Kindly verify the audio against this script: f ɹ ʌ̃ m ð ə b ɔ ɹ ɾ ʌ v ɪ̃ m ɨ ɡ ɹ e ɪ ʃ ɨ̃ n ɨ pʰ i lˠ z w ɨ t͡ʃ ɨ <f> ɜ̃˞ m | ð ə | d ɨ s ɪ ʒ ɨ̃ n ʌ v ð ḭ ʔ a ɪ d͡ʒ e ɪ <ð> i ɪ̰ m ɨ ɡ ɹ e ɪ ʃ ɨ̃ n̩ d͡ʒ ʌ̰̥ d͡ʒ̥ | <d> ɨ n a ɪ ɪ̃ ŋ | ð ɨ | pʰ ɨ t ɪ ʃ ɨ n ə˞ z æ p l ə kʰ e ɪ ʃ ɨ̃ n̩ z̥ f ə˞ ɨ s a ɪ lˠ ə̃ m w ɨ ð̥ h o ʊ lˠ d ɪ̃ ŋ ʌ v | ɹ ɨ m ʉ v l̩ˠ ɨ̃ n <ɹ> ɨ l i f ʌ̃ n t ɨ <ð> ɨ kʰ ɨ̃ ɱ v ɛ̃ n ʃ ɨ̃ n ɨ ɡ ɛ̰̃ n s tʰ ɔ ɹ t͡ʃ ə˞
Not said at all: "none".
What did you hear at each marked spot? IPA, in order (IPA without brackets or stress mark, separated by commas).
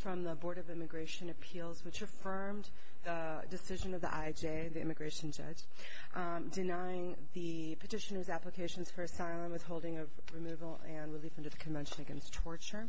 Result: f, ð, d, ɹ, ð